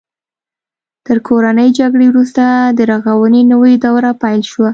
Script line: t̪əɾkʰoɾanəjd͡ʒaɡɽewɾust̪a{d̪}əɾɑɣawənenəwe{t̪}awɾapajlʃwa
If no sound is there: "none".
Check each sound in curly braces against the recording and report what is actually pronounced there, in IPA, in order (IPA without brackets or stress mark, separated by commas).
d̪, d̪